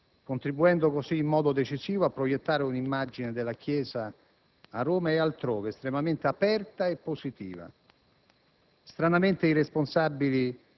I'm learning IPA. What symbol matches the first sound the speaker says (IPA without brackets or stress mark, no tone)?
k